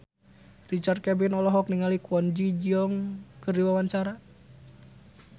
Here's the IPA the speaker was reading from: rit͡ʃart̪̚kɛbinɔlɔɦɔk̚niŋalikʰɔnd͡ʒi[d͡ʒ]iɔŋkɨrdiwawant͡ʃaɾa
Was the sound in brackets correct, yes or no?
yes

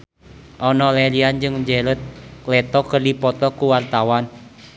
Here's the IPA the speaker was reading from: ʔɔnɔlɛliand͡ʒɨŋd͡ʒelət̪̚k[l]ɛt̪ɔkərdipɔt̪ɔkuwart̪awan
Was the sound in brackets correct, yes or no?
yes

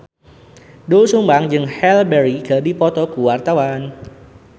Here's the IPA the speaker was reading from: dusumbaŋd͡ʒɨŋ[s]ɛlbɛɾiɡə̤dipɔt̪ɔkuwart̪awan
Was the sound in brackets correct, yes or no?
no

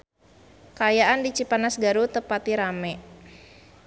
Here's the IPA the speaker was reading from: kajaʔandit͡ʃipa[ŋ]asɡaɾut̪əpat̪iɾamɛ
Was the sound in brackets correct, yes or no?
no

